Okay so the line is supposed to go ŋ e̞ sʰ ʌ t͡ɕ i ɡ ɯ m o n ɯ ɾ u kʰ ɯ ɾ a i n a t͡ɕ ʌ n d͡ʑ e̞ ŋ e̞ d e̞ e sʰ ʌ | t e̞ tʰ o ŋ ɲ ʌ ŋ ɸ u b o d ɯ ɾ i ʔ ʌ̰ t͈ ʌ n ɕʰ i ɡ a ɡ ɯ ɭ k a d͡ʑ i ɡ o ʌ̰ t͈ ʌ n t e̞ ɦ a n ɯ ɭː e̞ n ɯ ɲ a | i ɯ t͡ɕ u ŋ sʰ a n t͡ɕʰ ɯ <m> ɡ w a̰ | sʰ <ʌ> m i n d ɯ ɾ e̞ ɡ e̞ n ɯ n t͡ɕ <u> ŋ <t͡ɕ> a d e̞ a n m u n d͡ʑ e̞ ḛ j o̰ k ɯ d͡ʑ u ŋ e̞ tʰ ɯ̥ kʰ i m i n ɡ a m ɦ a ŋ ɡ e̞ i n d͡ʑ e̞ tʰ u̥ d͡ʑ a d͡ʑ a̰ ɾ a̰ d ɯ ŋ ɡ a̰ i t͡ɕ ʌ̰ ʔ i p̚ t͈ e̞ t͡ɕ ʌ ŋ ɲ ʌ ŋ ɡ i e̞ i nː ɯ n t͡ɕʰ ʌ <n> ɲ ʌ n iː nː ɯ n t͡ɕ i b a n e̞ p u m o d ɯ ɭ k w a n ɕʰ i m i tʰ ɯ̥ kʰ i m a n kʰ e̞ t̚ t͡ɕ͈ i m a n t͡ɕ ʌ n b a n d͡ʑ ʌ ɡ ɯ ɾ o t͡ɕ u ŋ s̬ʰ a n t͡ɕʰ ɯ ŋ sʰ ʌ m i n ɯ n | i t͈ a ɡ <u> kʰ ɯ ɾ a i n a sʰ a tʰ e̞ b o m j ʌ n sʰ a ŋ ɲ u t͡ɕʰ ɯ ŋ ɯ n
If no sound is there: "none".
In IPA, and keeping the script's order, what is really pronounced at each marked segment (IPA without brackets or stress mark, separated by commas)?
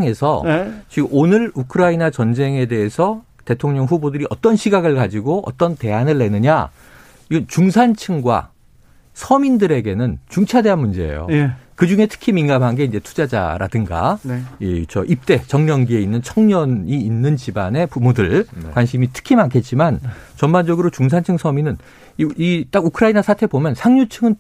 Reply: ŋ, ʌ, u, t͡ɕʰ, ŋ, u